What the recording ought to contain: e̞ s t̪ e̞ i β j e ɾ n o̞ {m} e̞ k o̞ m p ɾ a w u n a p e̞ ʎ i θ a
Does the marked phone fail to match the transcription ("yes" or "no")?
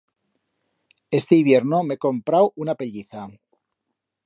no